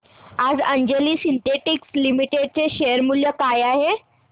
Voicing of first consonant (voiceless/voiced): voiced